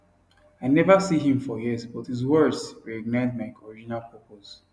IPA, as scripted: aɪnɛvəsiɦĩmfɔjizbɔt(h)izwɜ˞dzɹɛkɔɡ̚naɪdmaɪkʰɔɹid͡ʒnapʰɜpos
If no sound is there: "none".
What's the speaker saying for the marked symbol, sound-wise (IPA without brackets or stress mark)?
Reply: h